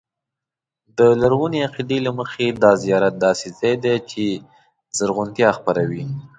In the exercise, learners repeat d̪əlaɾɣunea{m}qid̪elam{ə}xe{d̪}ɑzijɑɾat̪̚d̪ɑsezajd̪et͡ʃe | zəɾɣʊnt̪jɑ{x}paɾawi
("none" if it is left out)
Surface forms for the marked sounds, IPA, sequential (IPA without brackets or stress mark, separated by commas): none, ə, d̪, x